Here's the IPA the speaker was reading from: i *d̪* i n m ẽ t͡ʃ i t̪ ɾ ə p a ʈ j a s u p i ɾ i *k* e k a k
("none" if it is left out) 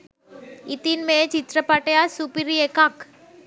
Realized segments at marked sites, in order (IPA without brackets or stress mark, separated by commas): t̪, none